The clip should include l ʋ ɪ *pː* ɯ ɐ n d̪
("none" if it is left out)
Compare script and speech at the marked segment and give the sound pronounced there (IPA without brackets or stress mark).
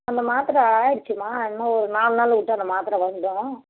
ʈː